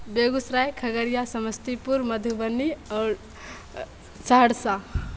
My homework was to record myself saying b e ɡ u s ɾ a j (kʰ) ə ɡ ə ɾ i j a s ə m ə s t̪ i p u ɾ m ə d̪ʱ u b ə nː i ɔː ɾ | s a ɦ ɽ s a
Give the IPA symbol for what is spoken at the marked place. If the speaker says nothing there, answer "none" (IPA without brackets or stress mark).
kʰ